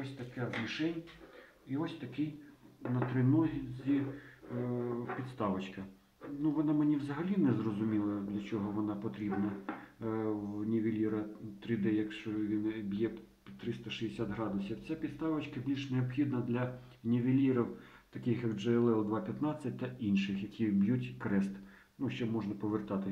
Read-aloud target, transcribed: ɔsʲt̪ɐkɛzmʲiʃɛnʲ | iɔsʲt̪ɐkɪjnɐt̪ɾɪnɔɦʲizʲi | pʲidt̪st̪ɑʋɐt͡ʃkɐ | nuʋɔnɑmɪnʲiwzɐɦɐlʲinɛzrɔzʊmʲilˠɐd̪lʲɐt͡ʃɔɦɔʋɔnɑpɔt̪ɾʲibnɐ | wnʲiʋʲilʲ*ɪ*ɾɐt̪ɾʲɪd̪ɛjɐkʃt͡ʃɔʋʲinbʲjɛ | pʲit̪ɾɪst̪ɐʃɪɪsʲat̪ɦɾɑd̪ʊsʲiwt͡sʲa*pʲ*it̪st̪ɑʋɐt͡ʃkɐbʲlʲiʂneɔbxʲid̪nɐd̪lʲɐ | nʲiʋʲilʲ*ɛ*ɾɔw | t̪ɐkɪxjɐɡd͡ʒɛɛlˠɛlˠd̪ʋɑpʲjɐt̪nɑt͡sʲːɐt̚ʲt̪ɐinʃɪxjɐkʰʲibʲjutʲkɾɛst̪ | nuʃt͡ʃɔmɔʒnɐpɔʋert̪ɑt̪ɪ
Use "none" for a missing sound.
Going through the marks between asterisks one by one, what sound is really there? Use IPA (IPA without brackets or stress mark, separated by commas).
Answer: i, pʲ, i